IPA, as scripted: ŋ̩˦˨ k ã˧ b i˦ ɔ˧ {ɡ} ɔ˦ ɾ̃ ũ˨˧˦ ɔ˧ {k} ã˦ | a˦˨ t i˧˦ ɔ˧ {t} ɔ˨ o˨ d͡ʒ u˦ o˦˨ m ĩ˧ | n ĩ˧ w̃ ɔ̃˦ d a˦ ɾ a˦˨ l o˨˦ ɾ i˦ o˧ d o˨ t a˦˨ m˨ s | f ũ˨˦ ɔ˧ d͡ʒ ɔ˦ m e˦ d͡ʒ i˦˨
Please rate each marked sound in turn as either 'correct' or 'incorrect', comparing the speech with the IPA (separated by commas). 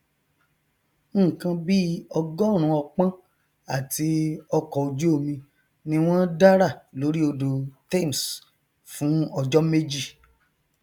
correct, incorrect, incorrect